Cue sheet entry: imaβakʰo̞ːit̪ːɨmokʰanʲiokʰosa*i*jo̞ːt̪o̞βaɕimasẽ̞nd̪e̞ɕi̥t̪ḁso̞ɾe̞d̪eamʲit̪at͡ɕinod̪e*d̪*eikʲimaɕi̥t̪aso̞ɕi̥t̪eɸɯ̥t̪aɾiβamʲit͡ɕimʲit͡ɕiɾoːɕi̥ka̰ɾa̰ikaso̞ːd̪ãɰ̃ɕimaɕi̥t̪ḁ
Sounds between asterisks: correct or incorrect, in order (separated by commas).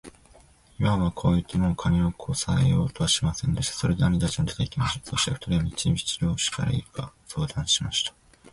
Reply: incorrect, incorrect